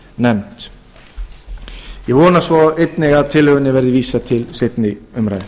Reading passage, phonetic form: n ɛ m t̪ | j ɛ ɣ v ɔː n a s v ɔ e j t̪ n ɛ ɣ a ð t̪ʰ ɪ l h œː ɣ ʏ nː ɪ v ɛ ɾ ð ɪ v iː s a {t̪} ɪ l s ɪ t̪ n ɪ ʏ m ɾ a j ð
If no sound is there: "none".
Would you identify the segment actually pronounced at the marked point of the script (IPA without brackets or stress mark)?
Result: t̪ʰ